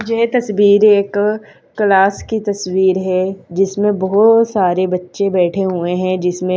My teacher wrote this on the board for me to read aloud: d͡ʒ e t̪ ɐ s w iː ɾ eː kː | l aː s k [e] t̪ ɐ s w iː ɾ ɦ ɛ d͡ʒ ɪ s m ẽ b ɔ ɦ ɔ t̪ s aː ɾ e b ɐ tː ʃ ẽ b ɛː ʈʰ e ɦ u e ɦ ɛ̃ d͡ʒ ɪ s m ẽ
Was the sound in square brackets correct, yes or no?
no